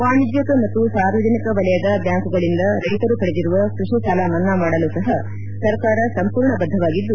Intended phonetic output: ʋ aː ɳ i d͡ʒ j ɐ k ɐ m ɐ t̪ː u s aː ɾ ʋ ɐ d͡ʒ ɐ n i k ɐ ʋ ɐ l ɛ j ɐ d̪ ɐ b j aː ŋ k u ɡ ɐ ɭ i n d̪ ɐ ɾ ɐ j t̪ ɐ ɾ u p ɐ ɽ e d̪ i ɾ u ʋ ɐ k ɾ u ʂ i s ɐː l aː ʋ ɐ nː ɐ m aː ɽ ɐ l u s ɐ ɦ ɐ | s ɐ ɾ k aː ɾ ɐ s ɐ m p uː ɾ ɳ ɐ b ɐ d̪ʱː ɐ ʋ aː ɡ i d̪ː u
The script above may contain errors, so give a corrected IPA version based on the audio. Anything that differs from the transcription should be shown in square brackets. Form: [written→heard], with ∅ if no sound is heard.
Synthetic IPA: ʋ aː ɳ i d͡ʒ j ɐ k ɐ m ɐ t̪ː u s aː ɾ ʋ ɐ d͡ʒ ɐ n i k ɐ ʋ ɐ l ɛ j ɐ d̪ ɐ b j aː ŋ k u ɡ ɐ ɭ i n d̪ ɐ ɾ ɐ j t̪ ɐ ɾ u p ɐ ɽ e d̪ i ɾ u ʋ ɐ k ɾ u ʂ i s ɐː l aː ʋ ɐ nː ɐ m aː ɽ ɐ l u s ɐ ɦ ɐ | s ɐ ɾ k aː ɾ ɐ s ɐ m p uː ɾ ɳ ɐ b ɐ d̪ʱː ɐ ʋ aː ɡ i d̪ː u